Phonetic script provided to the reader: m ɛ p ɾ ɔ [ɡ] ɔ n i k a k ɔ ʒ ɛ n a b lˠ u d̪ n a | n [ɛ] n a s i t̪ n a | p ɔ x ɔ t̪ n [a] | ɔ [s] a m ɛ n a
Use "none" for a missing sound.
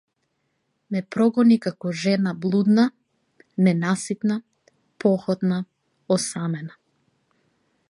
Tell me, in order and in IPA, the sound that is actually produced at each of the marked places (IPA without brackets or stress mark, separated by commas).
ɡ, ɛ, a, s